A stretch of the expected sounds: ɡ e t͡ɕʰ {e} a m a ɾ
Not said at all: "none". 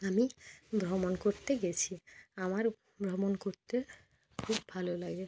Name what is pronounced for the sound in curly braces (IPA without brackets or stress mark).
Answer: i